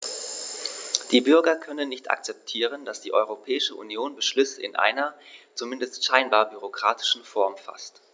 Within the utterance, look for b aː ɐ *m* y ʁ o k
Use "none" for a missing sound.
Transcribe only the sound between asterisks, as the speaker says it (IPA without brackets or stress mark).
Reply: b